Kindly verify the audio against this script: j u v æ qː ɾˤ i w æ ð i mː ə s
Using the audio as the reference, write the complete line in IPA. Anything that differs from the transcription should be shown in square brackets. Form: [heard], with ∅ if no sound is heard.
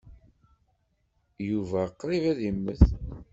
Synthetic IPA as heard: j u v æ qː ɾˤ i [v] æ ð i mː ə [θ]